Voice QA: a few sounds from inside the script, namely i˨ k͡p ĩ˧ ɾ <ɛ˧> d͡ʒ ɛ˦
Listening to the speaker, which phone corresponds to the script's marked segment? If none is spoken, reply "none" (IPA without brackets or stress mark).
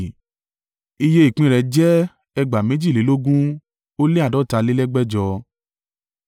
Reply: ɛ˧